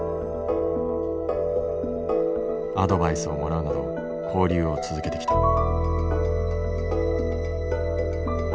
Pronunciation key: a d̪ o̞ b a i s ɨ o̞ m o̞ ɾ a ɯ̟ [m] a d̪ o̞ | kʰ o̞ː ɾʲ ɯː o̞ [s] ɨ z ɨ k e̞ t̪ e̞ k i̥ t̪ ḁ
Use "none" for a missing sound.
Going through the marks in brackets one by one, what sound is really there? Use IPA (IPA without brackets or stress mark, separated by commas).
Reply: n, t͡s